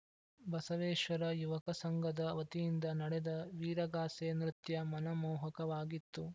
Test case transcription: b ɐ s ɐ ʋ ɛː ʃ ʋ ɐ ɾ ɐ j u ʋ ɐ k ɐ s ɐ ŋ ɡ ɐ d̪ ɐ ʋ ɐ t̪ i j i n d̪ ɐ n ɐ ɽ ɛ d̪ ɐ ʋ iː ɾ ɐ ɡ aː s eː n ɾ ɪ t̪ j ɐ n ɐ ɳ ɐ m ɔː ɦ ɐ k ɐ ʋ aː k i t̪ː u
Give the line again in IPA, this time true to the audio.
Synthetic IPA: b ɐ s ɐ ʋ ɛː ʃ ʋ ɐ ɾ ɐ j u ʋ ɐ k ɐ s ɐ ŋ ɡ ɐ d̪ ɐ ʋ ɐ t̪ i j i n d̪ ɐ n ɐ ɽ ɛ d̪ ɐ ʋ iː ɾ ɐ ɡ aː s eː n ɾ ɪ t̪ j ɐ m ɐ n ɐ m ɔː ɦ ɐ k ɐ ʋ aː ɡ i t̪ː u